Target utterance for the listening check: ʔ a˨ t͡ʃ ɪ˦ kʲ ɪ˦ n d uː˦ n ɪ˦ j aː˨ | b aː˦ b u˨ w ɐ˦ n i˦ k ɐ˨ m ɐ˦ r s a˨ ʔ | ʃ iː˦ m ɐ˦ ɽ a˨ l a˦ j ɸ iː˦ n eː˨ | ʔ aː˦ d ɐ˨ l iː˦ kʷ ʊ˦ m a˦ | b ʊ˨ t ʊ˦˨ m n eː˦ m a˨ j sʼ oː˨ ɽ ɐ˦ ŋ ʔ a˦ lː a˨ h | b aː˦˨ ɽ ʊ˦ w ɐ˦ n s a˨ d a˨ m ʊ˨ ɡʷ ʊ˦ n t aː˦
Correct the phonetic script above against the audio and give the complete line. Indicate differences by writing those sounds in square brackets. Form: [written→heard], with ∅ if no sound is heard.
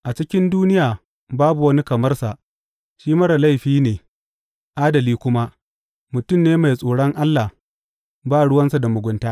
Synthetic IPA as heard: ʔ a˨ t͡ʃ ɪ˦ kʲ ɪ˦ n d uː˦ n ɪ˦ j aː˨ | b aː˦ b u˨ w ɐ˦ n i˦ k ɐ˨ m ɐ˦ r s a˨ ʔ | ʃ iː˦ m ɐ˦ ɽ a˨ l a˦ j ɸ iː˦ n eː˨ | ʔ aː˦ d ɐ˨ l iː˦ kʷ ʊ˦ m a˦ | [b→m] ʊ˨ t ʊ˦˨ m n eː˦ m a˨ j sʼ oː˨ ɽ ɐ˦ ŋ ʔ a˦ lː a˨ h | b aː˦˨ ɽ ʊ˦ w ɐ˦ n s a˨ d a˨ m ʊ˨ ɡʷ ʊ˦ n t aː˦